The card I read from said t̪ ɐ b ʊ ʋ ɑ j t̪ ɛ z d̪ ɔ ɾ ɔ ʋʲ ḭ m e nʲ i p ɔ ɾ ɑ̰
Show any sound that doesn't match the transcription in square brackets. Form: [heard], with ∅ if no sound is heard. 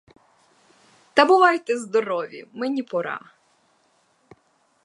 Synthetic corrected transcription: t̪ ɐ b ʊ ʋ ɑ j t̪ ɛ z d̪ ɔ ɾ ɔ ʋʲ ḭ m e nʲ i p ɔ ɾ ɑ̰